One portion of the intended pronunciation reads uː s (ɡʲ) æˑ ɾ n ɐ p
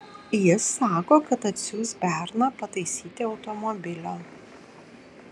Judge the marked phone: incorrect: bʲ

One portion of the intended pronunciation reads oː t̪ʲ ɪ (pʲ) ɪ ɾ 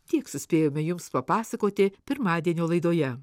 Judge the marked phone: correct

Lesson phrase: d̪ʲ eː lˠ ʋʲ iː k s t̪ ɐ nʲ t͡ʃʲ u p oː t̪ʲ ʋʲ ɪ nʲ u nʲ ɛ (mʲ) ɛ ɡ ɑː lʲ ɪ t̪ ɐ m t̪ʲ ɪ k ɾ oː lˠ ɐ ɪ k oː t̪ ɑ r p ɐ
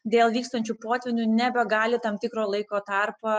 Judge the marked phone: incorrect: bʲ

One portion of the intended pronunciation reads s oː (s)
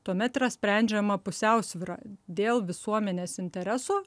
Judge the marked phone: incorrect: none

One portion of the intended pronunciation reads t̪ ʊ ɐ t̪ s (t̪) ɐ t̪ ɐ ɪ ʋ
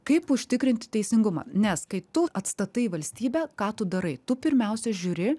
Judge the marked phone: correct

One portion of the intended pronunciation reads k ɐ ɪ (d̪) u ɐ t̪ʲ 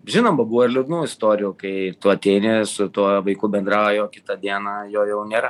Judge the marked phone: incorrect: t̪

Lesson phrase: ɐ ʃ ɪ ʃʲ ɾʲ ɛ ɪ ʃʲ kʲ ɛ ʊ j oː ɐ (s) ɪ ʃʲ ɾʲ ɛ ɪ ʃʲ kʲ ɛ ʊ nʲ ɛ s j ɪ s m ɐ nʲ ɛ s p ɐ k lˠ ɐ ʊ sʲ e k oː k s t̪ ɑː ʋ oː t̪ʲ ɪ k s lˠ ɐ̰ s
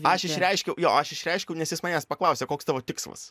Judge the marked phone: incorrect: ʃ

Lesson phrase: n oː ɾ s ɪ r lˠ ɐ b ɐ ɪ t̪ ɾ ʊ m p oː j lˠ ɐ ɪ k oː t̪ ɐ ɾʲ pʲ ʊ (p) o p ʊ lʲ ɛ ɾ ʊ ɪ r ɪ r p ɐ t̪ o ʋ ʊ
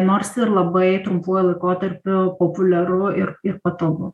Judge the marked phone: correct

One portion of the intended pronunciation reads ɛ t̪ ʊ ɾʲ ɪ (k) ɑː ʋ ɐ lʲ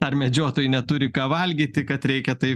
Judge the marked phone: correct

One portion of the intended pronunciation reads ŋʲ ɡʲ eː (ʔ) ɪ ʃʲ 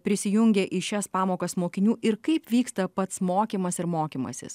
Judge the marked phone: correct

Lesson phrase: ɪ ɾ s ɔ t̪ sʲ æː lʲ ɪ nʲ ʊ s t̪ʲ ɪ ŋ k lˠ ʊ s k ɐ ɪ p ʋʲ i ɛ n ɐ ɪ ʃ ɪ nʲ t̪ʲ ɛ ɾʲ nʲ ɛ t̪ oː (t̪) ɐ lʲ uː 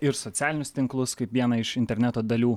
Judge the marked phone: incorrect: d̪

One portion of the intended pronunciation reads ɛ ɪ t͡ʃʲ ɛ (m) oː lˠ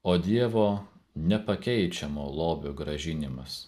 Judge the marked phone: correct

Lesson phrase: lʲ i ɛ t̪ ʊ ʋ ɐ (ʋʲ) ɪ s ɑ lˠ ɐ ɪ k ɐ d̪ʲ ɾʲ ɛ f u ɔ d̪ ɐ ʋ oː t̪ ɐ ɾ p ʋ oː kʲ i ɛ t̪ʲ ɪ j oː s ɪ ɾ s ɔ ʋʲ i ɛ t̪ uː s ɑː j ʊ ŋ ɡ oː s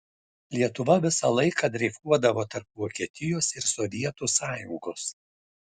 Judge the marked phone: correct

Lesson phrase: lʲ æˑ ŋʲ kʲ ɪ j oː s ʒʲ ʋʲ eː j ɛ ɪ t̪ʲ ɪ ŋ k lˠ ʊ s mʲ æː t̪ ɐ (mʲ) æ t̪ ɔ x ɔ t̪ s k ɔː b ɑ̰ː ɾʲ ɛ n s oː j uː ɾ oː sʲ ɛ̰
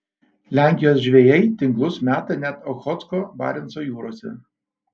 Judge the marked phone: incorrect: nʲ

